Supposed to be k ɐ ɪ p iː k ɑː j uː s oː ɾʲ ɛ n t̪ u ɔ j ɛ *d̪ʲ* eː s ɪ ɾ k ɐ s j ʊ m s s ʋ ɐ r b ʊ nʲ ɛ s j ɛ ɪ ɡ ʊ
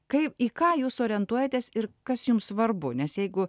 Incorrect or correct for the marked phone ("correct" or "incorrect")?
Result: incorrect